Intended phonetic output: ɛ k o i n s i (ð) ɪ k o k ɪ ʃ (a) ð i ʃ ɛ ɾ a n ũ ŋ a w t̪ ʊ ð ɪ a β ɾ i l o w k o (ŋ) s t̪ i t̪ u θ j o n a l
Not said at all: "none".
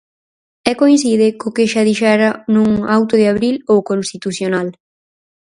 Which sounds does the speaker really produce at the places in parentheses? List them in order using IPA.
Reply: ð, a, n

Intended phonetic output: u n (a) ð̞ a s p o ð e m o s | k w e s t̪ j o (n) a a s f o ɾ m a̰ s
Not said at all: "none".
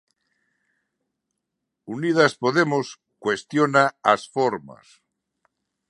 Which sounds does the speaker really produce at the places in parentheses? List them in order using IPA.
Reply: i, n

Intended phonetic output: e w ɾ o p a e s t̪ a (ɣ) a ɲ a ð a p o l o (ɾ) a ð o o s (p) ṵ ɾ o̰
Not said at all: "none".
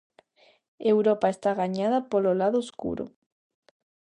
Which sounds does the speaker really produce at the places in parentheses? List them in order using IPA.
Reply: ɣ, l, k

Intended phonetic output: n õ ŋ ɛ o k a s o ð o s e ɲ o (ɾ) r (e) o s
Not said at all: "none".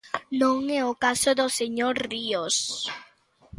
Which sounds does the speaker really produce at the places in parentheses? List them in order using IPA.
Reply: ɾ, i

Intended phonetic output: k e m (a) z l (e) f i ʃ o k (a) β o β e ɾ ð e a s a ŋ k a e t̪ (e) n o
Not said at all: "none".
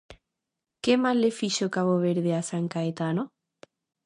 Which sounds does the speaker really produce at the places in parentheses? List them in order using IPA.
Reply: a, e, a, a

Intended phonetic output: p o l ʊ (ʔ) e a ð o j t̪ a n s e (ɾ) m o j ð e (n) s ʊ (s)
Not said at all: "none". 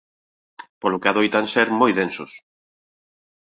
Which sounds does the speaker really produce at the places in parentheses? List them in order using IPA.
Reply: k, ɾ, n, s

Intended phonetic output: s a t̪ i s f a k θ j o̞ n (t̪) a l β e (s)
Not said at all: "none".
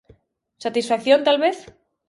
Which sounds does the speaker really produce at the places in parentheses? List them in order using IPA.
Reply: t̪, θ

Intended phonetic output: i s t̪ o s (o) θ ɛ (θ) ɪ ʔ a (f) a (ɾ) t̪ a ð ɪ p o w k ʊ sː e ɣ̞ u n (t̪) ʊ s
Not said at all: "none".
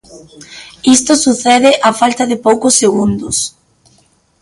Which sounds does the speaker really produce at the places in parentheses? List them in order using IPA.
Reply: u, ð, f, l, d̪

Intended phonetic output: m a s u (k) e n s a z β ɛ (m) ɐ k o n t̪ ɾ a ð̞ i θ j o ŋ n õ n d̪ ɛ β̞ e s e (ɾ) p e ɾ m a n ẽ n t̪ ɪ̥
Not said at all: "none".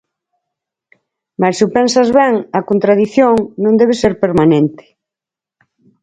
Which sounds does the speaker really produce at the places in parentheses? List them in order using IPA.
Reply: p, ŋ, ɾ

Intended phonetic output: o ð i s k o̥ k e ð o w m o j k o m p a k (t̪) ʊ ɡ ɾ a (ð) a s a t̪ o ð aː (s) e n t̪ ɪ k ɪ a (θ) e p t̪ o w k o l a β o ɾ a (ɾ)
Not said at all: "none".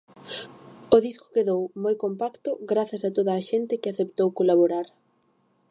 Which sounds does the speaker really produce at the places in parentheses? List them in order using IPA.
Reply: t̪, θ, ʃ, θ, ɾ

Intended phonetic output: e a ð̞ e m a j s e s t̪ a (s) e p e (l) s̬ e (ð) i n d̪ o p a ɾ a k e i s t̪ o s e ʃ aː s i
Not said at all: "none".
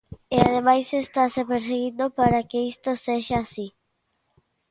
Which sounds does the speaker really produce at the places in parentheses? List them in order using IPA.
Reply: s, ɾ, ɣ

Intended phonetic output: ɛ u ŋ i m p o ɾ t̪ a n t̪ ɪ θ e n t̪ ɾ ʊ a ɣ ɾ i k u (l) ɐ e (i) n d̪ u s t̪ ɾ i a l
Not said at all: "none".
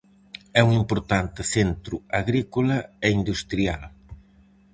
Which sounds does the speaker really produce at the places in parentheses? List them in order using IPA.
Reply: l, i

